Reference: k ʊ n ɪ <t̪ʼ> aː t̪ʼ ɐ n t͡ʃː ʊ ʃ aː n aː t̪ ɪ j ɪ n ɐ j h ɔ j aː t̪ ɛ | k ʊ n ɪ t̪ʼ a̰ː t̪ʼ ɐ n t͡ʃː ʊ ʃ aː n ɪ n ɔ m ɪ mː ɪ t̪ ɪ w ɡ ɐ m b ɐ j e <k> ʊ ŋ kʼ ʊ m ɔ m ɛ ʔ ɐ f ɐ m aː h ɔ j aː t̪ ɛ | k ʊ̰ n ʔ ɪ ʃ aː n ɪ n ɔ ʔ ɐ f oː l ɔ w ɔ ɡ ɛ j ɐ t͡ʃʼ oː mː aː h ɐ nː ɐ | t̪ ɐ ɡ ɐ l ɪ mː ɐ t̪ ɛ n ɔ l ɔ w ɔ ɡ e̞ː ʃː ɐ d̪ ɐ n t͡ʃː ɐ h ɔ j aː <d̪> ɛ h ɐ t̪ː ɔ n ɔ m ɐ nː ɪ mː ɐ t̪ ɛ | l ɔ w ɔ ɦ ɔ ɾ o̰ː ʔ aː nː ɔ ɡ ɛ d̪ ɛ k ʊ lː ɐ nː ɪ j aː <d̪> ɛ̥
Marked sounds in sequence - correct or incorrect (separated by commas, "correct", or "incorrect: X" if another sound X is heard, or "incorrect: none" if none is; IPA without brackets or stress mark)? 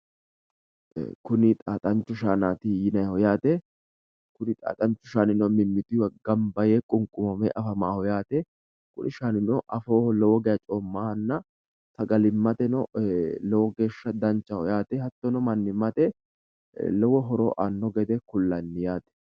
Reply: correct, incorrect: kʼ, incorrect: t̪, incorrect: t̪